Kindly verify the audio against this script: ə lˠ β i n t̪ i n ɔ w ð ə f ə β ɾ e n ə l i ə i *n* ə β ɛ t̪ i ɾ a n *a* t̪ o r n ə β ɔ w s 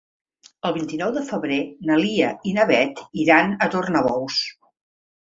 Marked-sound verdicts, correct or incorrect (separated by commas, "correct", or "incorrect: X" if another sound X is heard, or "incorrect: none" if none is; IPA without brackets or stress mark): correct, incorrect: ə